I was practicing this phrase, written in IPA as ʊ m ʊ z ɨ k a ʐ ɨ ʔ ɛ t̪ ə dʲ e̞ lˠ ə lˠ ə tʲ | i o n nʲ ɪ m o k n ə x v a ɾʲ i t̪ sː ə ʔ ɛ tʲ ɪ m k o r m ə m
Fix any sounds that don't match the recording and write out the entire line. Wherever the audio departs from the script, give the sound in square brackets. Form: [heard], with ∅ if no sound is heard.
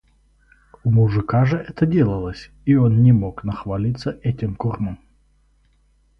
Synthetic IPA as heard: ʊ m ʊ [ʐ] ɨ k a ʐ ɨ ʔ ɛ t̪ ə dʲ e̞ lˠ ə lˠ ə [sʲ] | i o n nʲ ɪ m o k n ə x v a [lʲ] i t̪ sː ə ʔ ɛ tʲ ɪ m k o r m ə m